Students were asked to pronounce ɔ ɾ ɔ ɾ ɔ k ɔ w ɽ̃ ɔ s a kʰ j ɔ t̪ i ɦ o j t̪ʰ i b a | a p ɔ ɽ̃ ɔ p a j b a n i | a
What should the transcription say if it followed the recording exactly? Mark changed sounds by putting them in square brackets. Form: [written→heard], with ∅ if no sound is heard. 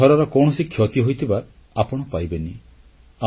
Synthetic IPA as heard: ɔ ɾ ɔ ɾ ɔ k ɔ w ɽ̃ ɔ s [a→i] kʰ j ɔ t̪ i ɦ o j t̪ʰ i b a | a p ɔ ɽ̃ ɔ p a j b [a→e] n i | a